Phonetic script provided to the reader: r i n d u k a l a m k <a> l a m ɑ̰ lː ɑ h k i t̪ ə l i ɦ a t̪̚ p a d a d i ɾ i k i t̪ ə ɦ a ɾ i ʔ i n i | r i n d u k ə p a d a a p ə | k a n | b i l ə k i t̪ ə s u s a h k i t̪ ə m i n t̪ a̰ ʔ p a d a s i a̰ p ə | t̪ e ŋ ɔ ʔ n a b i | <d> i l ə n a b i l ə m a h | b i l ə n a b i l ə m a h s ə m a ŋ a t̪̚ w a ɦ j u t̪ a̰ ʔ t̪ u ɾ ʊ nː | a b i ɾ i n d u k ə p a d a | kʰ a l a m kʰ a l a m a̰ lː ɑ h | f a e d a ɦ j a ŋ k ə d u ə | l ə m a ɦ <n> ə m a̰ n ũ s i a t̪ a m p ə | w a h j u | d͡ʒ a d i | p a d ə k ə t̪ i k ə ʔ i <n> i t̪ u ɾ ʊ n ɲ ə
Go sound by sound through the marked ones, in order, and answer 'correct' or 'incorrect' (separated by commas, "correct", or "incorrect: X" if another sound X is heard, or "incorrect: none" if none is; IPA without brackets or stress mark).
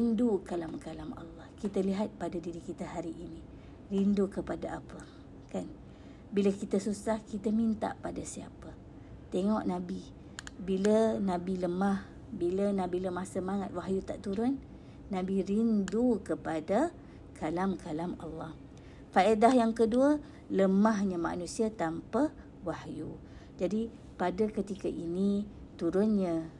correct, incorrect: b, incorrect: ɲ, correct